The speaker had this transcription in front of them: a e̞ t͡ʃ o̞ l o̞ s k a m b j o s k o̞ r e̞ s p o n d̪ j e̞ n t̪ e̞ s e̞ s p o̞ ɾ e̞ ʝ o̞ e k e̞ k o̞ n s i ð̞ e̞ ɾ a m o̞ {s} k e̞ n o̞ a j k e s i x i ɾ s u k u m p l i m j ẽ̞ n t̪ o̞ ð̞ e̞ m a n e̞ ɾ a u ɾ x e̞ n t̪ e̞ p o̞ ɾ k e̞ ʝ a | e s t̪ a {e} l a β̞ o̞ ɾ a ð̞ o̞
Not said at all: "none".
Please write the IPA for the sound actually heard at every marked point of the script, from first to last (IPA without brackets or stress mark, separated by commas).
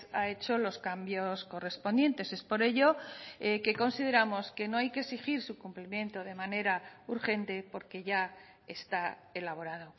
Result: s, e